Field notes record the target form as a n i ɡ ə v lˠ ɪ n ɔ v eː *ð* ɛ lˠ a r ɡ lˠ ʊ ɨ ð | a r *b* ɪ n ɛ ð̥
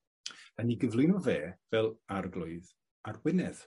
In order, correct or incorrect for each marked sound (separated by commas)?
incorrect, incorrect